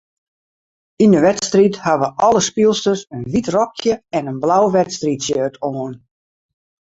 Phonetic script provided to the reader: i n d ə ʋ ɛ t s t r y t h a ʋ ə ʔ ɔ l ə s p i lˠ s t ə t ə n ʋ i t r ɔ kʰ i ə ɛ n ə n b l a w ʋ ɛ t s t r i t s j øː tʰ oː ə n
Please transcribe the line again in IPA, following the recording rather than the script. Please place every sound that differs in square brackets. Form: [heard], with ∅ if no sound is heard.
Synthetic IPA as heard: i n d ə ʋ ɛ t s t r [i] t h a ʋ ə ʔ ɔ l ə s p i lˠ s t ə [s] ə n ʋ i t r ɔ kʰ [j] ə ɛ n ə n b l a w ʋ ɛ t s t r i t s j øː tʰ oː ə n